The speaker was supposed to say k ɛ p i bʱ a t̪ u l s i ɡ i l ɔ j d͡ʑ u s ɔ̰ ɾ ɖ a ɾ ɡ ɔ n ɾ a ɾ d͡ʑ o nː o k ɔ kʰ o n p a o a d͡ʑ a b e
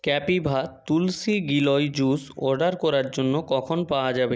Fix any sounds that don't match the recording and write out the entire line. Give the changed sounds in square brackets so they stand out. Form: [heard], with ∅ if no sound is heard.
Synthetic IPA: k ɛ p i bʱ a t̪ u l s i ɡ i l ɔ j d͡ʑ u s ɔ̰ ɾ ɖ a ɾ [k] ɔ [∅] ɾ a ɾ d͡ʑ o nː o k ɔ kʰ o n p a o a d͡ʑ a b e